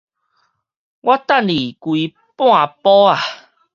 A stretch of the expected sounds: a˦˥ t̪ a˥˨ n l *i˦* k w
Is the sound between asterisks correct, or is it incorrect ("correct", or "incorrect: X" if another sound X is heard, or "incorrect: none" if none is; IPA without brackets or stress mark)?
incorrect: i˨˩